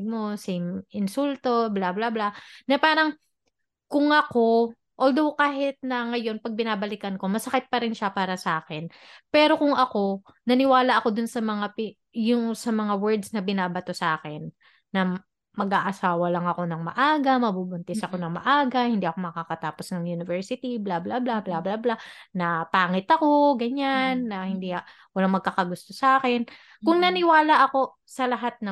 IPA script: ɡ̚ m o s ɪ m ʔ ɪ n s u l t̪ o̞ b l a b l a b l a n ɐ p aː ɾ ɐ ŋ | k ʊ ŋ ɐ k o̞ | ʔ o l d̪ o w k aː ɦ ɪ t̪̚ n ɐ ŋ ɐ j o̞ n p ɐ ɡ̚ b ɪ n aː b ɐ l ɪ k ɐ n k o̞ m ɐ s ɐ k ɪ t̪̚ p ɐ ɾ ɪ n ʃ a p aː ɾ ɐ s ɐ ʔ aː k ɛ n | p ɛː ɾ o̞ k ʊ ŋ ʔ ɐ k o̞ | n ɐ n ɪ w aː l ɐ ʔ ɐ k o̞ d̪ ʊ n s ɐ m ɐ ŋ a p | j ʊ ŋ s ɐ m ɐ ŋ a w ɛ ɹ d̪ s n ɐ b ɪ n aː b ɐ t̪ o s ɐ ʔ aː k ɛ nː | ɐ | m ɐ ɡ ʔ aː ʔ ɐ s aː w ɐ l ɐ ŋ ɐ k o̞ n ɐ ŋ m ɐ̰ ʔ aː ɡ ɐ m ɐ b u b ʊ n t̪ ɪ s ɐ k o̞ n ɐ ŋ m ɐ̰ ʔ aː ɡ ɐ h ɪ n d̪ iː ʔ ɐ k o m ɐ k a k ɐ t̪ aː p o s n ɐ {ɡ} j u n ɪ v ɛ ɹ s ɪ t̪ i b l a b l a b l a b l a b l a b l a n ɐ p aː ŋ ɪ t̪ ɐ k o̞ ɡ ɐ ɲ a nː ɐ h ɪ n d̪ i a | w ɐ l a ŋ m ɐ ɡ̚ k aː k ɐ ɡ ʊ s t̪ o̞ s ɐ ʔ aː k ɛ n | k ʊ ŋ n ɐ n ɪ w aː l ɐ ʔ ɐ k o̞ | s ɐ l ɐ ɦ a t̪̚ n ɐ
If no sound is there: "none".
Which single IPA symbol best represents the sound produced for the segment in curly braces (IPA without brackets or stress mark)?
ŋ